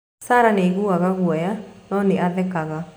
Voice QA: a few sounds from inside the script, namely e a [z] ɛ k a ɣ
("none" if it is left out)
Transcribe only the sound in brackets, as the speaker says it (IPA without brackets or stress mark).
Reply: ð